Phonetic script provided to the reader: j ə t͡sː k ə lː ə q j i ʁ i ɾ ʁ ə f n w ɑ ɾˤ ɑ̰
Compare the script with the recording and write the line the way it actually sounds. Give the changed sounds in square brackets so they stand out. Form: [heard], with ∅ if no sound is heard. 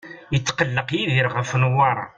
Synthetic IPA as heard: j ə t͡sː [q] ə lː ə q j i [ð] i ɾ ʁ ə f n w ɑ ɾˤ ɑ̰